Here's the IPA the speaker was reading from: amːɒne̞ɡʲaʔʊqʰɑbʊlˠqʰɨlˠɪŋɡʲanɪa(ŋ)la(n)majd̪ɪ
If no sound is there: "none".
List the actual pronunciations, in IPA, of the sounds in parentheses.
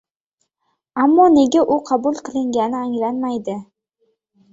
ŋ, n

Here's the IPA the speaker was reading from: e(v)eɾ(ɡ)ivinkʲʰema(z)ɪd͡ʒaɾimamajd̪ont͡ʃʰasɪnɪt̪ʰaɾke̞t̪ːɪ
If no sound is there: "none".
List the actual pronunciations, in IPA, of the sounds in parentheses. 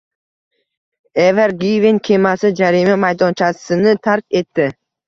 v, ɡ, s

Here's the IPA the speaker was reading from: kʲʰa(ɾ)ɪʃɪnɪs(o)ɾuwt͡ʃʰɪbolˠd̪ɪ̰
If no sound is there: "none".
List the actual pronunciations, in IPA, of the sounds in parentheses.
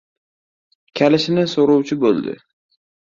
l, o

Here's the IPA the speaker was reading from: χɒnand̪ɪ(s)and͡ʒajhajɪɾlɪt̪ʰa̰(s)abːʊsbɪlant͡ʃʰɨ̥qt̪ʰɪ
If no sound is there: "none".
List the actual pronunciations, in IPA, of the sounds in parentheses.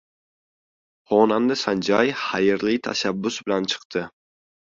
s, ʃ

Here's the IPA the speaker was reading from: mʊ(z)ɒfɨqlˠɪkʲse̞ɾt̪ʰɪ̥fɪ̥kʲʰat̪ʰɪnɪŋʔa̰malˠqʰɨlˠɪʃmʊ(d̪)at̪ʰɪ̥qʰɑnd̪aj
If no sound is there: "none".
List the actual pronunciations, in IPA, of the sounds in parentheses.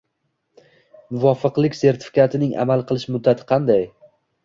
v, d̪ː

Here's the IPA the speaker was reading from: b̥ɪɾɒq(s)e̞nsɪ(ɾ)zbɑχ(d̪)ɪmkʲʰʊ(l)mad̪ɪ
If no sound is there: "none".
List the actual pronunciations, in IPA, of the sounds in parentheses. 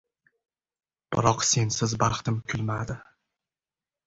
s, none, t̪, l

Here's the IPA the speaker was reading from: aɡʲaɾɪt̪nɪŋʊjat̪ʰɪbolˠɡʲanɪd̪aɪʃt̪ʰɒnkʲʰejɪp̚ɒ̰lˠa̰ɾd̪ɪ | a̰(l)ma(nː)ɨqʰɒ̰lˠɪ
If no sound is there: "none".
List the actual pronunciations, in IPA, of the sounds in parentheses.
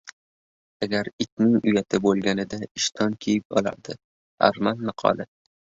ɾ, nː

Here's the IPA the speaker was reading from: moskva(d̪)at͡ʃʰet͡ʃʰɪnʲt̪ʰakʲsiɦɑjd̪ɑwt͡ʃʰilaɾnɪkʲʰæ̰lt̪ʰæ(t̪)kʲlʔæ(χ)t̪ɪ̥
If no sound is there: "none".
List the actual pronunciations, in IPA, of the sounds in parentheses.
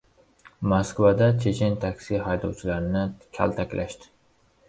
d̪, none, ʃ

